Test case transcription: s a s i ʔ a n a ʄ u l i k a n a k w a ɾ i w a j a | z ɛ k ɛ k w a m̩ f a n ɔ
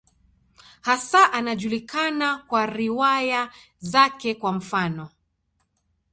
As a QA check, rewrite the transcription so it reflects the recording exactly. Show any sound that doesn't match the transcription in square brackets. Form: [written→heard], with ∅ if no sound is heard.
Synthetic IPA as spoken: [s→h] a s [i→a] ʔ a n a ʄ u l i k a n a k w a ɾ i w a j a | z [ɛ→a] k ɛ k w a m̩ f a n ɔ